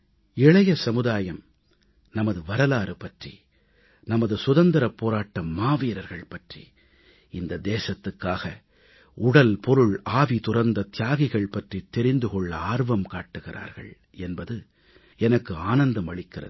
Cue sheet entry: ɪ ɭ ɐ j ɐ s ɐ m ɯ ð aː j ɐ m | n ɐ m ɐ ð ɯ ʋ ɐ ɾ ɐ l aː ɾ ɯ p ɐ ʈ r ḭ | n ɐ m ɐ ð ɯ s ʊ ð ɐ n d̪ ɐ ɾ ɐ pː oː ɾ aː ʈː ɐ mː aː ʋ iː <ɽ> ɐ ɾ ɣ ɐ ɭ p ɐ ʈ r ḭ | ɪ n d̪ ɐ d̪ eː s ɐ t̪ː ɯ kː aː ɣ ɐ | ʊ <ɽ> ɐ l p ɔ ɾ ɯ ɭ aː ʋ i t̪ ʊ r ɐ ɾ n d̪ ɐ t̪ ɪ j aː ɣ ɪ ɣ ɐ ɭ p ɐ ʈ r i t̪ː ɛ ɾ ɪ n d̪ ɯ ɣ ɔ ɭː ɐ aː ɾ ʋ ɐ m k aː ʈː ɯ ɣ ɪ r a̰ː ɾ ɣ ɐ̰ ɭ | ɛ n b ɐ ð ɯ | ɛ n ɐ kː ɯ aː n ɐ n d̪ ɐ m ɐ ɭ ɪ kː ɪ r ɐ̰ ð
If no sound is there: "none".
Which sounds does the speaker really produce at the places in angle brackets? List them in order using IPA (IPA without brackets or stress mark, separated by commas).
ɾ, ɽ